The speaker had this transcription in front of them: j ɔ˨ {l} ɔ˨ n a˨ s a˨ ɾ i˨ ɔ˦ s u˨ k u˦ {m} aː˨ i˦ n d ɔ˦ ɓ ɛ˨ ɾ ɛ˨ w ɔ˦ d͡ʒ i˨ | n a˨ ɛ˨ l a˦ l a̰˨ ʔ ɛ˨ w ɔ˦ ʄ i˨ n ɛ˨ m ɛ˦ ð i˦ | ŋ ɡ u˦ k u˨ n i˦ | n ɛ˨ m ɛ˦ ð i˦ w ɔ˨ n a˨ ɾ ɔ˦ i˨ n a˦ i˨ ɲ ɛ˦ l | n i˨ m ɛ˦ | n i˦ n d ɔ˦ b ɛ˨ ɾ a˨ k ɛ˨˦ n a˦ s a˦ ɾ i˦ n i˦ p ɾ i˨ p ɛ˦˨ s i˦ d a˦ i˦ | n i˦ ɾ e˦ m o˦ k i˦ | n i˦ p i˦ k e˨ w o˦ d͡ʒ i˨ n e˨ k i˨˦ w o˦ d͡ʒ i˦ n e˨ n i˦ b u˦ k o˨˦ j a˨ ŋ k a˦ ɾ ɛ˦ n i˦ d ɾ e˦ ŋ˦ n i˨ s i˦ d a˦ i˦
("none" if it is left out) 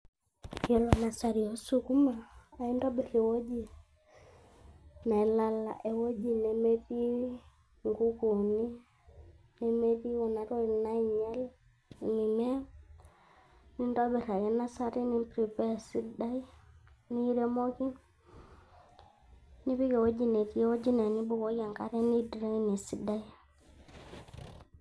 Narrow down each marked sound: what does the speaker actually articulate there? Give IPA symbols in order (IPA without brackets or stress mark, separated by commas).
l, m